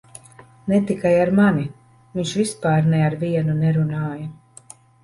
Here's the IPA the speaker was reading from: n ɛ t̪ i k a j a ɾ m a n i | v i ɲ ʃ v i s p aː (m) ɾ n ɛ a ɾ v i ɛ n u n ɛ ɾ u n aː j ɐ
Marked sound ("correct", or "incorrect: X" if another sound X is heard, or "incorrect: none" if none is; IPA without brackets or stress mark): incorrect: none